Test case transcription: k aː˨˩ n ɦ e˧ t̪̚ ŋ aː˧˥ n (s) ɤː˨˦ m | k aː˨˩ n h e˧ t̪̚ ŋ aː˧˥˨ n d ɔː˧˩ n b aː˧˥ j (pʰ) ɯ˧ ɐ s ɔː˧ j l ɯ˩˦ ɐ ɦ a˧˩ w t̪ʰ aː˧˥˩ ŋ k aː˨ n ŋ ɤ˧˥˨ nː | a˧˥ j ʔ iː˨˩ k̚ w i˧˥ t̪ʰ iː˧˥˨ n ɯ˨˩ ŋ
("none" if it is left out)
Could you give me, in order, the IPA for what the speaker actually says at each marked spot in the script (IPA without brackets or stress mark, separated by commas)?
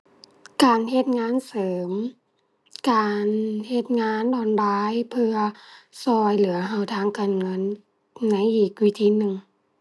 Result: s, pʰ